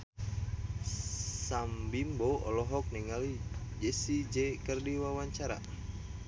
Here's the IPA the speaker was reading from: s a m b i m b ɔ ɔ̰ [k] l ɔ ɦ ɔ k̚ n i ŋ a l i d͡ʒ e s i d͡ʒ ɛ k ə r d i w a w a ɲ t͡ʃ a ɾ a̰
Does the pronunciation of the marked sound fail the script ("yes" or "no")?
yes